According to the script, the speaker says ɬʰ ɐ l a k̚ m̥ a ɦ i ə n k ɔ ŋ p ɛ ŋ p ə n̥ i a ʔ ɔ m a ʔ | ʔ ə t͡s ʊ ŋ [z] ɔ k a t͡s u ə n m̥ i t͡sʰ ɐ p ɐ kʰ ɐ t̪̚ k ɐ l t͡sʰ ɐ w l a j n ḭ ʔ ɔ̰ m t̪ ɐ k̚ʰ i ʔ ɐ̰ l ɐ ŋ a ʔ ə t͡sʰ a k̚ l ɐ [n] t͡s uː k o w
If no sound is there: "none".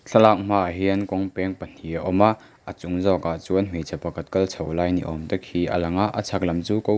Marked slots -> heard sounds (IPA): z, m

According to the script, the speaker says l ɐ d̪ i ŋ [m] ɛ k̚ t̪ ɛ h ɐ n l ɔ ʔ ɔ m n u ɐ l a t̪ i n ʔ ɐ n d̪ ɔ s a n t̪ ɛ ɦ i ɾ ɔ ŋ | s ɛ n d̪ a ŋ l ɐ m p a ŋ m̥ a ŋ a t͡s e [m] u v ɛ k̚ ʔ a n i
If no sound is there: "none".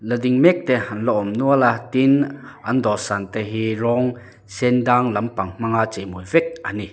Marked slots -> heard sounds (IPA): m, m

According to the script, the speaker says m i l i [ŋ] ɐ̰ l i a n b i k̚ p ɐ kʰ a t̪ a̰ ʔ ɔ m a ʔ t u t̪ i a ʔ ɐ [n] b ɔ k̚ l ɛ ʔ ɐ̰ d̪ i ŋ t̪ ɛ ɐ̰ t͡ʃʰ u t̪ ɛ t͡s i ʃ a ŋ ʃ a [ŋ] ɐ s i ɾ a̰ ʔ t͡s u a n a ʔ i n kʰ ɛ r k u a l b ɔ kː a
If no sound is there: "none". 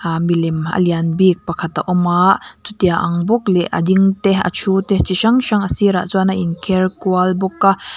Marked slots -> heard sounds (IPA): m, ŋ, ŋ

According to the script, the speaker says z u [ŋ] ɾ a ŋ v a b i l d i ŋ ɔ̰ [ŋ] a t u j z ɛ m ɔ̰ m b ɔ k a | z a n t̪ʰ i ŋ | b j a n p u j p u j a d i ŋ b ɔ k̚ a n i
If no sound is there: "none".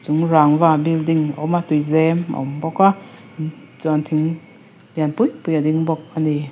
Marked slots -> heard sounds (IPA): ŋ, m

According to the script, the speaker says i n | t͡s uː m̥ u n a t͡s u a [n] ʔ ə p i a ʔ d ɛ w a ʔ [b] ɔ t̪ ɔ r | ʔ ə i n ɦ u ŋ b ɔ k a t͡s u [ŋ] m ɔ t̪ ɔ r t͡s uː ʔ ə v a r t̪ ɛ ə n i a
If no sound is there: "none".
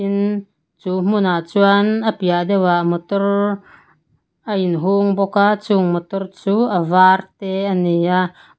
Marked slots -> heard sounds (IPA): n, m, ŋ

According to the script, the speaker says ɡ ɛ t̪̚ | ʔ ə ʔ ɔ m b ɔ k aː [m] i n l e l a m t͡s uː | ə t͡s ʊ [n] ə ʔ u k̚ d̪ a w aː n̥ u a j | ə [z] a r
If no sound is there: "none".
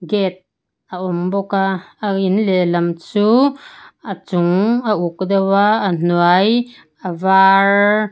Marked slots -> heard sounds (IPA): none, ŋ, v

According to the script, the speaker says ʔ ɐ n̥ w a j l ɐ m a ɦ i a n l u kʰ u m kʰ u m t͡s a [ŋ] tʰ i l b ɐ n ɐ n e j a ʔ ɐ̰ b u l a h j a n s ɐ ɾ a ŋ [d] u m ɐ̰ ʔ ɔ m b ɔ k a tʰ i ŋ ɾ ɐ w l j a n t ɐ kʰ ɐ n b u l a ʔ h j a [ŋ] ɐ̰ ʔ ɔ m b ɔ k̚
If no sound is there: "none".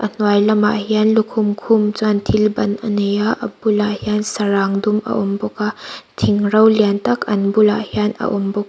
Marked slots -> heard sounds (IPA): n, d, n

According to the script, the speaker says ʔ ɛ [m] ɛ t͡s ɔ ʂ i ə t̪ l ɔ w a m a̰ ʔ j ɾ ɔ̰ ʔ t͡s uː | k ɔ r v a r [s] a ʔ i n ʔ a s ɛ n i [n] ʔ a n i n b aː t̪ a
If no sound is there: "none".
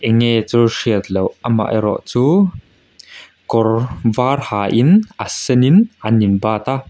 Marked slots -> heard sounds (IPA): ŋ, h, n

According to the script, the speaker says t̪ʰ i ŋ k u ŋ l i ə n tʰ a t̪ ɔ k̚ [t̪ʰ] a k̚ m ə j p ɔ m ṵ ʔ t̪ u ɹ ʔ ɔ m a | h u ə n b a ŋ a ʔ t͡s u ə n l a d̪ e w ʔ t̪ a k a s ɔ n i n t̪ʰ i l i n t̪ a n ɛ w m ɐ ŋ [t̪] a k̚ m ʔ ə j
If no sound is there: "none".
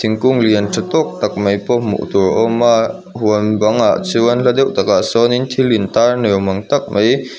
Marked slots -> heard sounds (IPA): t̪, t̪

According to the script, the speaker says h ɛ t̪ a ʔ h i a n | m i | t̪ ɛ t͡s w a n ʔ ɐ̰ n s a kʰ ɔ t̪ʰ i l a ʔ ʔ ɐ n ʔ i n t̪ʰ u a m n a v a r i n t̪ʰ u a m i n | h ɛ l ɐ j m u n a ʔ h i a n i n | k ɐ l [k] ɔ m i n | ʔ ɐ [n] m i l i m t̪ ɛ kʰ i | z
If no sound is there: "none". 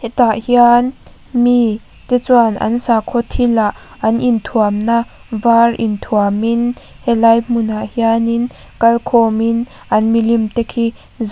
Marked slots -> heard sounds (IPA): kʰ, n

